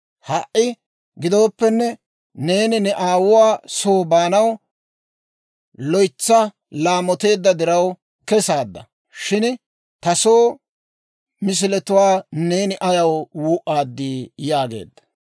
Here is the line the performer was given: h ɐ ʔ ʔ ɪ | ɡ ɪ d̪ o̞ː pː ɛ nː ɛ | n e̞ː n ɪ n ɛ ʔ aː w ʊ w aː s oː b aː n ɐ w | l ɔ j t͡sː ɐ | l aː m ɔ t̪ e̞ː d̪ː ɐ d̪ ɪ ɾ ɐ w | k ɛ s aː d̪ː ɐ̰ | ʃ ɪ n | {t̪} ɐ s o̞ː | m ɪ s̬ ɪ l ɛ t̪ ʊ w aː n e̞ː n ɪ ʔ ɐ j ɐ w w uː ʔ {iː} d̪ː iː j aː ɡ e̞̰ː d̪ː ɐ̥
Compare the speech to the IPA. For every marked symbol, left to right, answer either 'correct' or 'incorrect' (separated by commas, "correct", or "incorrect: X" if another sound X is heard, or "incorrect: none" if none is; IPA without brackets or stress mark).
correct, incorrect: aː